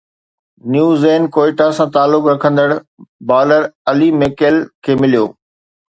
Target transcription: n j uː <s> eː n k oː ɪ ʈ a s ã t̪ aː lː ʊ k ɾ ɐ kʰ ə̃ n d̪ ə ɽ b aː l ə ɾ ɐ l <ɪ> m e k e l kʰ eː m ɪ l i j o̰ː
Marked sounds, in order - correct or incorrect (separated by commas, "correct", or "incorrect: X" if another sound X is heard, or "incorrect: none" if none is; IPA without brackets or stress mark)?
incorrect: z, incorrect: i